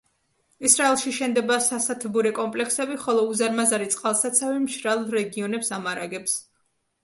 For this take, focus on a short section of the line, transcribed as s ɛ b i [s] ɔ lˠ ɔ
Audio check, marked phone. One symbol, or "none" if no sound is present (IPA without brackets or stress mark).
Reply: χ